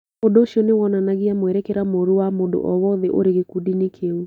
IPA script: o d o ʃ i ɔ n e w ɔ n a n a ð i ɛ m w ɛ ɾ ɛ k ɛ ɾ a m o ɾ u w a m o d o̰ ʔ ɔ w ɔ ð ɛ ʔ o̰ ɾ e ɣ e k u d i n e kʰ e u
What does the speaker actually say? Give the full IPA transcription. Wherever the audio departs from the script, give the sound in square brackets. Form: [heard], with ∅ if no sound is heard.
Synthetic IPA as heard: o d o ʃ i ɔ n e w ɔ n a n a [ɣ] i [a] m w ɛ ɾ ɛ k ɛ ɾ a m o ɾ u w a m o d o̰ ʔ ɔ w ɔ ð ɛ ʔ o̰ ɾ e ɣ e k u d i n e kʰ e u